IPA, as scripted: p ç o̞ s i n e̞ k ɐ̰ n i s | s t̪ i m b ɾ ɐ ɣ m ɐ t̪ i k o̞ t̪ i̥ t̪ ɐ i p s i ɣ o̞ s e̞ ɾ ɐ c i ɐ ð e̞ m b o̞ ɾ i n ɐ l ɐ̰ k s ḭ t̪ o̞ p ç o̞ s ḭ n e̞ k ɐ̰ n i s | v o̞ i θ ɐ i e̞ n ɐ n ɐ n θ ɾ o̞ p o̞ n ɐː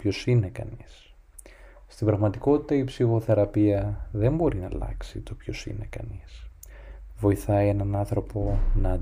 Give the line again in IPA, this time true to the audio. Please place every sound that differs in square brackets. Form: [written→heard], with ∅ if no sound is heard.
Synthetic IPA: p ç o̞ s i n e̞ k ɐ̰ n i s | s t̪ i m b ɾ ɐ ɣ m ɐ t̪ i k o̞ t̪ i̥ t̪ ɐ i p s i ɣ o̞ [s→θ] e̞ ɾ ɐ [c→p] i ɐ ð e̞ m b o̞ ɾ i n ɐ l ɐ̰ k s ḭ t̪ o̞ p ç o̞ s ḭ n e̞ k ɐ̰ n i s | v o̞ i θ ɐ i e̞ n ɐ n ɐ n θ ɾ o̞ p o̞ n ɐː